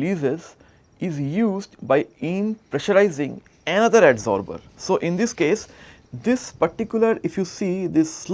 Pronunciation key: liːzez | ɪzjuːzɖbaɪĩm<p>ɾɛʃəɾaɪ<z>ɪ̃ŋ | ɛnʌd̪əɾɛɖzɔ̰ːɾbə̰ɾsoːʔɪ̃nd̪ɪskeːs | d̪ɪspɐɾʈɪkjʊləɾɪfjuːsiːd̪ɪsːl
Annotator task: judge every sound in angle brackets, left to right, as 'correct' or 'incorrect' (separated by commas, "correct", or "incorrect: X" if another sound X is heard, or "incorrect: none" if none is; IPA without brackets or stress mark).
correct, correct